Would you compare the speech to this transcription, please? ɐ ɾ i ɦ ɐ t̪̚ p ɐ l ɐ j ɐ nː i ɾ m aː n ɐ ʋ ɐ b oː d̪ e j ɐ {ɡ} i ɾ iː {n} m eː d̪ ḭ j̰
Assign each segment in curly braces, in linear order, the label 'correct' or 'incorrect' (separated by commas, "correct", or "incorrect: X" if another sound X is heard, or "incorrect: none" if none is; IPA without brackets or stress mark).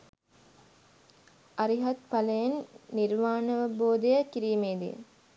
incorrect: k, incorrect: none